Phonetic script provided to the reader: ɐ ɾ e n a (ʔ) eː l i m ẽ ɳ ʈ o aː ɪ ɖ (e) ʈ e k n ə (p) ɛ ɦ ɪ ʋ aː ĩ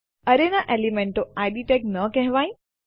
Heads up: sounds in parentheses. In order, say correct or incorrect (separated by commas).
correct, incorrect, incorrect